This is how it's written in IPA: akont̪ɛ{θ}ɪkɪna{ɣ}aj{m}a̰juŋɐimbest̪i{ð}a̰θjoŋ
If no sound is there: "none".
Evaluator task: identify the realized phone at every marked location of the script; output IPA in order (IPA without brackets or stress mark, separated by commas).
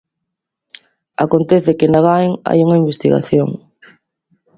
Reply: θ, ɣ, ŋ, ɣ